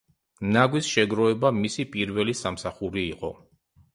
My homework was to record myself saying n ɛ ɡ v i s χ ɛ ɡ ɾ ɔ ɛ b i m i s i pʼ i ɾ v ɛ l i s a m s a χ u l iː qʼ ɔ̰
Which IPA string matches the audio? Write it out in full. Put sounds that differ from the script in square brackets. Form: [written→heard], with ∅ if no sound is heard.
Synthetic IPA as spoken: n [ɛ→a] ɡ [v→w] i s [χ→ʃ] ɛ ɡ ɾ ɔ ɛ b [i→a] m i s i pʼ i ɾ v ɛ l i s a m s a χ u [l→ɾ] iː qʼ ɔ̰